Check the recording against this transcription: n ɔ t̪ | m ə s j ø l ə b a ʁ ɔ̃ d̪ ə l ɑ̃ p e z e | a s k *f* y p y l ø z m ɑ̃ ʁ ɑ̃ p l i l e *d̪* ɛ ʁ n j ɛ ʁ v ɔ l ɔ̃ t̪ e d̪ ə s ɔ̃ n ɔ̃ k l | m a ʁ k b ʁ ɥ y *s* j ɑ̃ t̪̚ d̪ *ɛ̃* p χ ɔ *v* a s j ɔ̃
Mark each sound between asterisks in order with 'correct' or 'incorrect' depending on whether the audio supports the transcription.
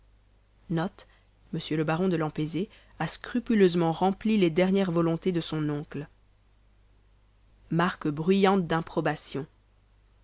incorrect: χ, correct, incorrect: none, correct, incorrect: b

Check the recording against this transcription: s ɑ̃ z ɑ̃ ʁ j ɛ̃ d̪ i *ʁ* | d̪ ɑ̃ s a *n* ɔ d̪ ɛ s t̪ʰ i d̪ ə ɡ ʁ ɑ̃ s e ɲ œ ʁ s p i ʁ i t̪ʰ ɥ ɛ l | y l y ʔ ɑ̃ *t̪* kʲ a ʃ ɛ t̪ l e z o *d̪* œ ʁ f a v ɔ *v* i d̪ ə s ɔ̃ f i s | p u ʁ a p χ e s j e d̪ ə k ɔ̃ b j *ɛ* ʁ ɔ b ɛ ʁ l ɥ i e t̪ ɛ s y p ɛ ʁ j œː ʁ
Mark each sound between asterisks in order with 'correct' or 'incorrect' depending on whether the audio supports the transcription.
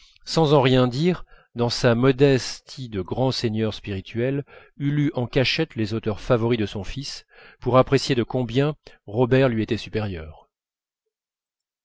correct, incorrect: m, incorrect: none, incorrect: t̪, incorrect: ʁ, incorrect: ɛ̃

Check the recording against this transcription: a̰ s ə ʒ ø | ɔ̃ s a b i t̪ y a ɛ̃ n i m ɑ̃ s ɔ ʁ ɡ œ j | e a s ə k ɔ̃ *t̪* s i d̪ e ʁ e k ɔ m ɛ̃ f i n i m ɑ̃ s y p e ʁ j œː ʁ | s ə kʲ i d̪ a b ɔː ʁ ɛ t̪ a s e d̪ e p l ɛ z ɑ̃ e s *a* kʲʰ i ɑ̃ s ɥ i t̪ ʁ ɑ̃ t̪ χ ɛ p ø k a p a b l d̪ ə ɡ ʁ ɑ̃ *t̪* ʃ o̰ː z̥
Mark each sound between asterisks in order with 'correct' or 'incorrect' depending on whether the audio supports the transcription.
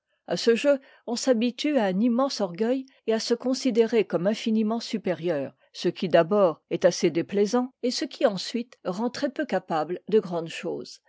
incorrect: none, incorrect: ə, incorrect: d̪

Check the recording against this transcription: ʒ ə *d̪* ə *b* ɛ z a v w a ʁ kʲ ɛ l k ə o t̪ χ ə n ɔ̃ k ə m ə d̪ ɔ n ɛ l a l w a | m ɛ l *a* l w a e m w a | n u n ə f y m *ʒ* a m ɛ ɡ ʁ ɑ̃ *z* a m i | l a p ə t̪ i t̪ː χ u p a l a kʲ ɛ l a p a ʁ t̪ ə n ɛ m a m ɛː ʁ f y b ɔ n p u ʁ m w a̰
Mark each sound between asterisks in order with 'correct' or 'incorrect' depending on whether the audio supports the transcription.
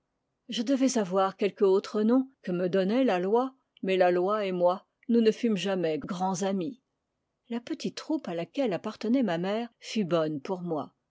correct, incorrect: v, correct, correct, correct

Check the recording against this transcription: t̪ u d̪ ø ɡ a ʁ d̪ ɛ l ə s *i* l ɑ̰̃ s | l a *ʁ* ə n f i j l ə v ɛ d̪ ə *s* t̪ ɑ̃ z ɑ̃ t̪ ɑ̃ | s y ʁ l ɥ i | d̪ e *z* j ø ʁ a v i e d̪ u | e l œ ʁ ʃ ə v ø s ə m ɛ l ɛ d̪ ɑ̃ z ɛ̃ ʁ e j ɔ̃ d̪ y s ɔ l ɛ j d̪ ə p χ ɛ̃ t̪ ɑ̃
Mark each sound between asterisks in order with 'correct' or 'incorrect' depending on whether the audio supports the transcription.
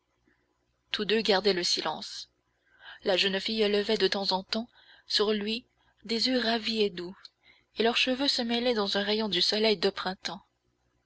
correct, incorrect: ʒ, incorrect: none, correct

